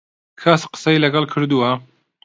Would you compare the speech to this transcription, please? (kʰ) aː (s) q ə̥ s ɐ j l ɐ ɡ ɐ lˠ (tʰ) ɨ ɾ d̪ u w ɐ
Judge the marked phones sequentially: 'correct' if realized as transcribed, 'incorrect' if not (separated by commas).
correct, correct, incorrect